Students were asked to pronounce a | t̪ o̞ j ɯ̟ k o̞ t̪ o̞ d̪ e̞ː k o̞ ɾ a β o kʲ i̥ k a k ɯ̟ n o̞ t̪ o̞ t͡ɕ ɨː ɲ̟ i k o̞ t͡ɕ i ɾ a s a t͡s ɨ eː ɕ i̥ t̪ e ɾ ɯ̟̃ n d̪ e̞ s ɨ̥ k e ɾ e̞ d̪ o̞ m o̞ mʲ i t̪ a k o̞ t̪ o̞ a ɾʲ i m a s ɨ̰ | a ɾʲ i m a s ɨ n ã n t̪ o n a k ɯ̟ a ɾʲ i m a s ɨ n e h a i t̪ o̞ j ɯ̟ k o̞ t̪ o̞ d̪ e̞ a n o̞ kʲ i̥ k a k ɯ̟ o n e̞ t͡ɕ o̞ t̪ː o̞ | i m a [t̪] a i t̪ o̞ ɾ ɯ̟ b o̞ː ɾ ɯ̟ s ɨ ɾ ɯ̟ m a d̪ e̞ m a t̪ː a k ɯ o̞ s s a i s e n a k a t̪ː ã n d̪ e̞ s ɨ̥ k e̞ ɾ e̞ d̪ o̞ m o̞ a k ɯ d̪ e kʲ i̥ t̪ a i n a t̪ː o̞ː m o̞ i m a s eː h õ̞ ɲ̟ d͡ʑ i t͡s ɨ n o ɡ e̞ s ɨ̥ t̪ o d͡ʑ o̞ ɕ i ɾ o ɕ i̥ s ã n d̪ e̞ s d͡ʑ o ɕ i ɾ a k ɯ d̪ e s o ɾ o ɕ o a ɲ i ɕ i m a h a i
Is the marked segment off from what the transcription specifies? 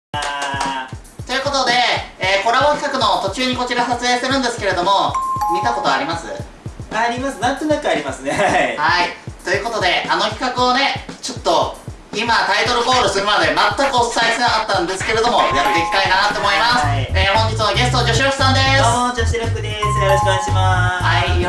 no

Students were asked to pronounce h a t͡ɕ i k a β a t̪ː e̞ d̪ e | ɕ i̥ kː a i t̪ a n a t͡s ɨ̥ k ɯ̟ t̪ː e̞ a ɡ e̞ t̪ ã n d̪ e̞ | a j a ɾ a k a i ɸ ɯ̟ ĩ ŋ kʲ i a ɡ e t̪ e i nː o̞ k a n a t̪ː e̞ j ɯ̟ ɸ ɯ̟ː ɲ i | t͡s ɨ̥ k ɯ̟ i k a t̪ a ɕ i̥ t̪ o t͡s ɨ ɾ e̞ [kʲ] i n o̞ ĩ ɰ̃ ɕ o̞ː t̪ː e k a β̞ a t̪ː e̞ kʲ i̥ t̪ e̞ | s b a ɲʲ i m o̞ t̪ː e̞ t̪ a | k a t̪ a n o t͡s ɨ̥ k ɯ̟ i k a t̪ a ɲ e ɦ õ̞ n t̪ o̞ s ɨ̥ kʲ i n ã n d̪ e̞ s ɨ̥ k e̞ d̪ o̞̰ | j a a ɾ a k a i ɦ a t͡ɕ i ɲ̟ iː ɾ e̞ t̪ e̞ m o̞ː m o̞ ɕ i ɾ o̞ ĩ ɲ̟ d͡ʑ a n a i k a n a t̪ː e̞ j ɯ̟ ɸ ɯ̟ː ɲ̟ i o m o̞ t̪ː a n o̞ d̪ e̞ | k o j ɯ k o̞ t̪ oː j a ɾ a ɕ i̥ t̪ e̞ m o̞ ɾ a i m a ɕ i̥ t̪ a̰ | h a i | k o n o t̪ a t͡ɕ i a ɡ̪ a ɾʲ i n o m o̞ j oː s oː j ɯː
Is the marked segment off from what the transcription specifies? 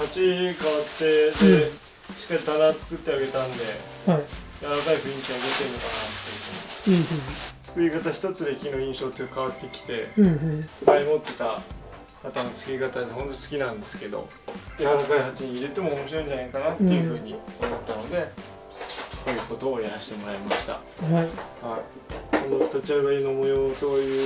no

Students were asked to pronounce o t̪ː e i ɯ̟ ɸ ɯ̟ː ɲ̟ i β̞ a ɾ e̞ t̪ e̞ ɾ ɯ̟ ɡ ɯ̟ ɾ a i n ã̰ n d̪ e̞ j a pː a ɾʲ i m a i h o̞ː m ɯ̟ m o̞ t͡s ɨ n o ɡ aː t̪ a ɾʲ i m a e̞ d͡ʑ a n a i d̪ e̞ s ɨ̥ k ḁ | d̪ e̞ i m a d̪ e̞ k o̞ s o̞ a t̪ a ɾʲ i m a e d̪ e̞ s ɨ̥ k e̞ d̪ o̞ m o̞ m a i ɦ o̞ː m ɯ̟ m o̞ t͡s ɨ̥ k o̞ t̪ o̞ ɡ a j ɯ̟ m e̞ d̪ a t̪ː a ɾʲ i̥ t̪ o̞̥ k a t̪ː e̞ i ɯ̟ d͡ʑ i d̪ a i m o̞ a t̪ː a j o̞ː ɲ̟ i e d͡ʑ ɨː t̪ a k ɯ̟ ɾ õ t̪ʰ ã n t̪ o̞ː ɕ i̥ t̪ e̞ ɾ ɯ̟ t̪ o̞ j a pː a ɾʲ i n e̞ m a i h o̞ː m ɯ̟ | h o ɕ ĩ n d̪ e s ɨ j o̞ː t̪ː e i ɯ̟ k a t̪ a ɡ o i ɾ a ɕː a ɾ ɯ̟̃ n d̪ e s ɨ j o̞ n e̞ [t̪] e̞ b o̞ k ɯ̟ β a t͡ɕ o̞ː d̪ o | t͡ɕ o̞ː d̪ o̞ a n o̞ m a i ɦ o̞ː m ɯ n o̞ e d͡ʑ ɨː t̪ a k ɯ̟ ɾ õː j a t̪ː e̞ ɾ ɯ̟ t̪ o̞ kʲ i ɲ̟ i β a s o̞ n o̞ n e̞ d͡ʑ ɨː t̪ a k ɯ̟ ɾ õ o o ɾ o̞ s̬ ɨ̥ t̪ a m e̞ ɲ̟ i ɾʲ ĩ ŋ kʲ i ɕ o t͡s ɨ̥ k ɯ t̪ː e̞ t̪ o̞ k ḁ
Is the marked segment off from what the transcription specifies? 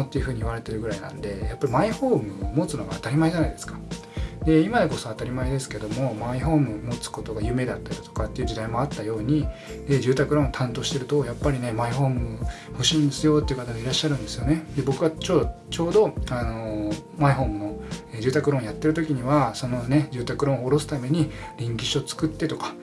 yes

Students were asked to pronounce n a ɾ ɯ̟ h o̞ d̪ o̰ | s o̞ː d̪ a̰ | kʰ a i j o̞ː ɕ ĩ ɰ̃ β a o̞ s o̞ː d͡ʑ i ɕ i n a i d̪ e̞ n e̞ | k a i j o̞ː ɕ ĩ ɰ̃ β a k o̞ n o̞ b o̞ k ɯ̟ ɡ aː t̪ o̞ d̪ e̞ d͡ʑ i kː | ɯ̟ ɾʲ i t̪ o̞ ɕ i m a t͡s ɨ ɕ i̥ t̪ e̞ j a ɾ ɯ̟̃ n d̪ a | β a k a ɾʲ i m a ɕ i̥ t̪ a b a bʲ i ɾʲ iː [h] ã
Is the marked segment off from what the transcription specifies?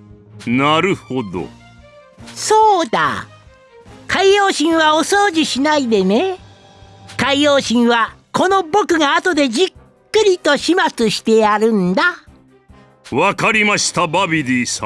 yes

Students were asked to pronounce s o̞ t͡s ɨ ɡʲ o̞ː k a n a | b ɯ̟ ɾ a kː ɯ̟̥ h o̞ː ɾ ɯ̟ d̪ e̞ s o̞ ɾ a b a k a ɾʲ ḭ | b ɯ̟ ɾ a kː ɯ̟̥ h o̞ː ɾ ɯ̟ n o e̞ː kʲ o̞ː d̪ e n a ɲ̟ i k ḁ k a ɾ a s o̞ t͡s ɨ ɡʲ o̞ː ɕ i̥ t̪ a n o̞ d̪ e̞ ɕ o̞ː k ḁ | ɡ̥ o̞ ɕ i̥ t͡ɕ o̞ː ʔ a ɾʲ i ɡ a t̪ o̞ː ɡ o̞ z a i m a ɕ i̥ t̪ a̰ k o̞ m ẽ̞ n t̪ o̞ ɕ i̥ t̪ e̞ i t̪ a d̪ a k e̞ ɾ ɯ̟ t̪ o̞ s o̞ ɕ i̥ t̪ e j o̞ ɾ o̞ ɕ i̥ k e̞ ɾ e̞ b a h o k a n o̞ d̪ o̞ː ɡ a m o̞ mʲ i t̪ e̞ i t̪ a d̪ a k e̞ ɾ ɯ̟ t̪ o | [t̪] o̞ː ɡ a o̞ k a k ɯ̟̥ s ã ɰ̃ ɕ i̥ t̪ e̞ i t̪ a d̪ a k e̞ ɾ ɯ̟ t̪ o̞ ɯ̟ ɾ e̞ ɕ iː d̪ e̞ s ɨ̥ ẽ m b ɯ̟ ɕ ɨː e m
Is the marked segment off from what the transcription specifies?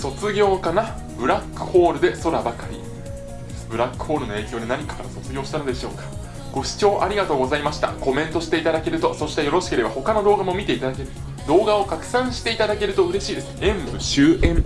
yes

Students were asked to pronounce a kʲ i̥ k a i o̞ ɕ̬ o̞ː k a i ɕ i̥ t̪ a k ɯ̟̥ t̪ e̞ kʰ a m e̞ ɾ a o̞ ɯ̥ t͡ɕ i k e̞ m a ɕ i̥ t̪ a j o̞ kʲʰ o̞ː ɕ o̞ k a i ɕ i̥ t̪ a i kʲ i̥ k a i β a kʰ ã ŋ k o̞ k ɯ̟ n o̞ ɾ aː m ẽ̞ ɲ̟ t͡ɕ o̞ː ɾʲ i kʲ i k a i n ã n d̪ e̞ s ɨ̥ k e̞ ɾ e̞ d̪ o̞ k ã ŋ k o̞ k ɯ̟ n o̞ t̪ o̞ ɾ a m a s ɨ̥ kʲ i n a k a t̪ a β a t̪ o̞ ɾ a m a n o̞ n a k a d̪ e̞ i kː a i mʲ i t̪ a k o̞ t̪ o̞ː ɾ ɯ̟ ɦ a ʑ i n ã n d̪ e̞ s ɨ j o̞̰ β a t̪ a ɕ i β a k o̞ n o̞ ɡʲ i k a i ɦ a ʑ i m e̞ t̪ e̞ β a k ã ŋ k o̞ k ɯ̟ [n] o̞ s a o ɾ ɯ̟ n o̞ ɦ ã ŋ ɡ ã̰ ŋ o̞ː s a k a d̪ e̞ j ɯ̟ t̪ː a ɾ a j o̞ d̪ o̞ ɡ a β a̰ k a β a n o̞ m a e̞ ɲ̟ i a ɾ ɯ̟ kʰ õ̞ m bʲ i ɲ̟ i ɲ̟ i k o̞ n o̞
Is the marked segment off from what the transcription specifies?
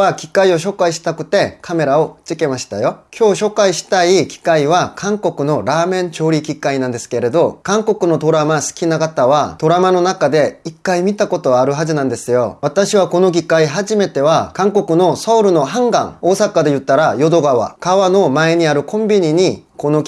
no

